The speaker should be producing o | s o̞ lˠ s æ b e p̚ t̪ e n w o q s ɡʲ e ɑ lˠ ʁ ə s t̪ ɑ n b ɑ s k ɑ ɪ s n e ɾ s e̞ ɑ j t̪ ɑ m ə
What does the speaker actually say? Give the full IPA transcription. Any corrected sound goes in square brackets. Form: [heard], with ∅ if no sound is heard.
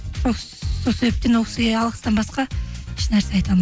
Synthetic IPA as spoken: o | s o̞ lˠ s [e] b e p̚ t̪ e n w o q s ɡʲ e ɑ lˠ ʁ ə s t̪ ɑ n b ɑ s [q] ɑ ɪ [ʃ] n [æ] ɾ s e̞ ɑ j t̪ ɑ m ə